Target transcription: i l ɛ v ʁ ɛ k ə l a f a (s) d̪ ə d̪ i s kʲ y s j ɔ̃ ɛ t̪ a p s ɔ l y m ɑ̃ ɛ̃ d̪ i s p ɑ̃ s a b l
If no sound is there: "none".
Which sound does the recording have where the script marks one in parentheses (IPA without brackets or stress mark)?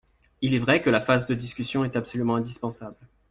z